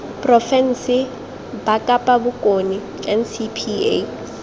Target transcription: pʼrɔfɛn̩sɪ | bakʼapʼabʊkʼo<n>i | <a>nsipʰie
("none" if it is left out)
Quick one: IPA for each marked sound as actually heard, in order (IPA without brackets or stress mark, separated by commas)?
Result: n, ɛ